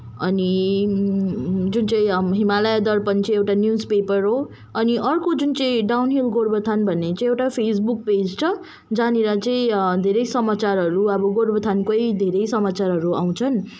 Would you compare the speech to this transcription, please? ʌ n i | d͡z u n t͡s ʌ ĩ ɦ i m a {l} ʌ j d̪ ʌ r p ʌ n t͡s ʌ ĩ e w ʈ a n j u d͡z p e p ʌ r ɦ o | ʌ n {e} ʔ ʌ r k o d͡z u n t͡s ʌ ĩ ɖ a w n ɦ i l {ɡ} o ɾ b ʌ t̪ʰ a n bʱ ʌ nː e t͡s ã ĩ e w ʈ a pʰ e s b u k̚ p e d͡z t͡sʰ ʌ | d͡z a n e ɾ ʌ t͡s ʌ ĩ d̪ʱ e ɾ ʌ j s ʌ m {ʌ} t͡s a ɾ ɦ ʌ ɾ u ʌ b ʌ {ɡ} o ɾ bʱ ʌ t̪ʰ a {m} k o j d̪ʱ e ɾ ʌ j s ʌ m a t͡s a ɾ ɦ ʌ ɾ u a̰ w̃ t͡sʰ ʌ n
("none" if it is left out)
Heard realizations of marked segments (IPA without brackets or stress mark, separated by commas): l, i, ɡ, a, ɡ, n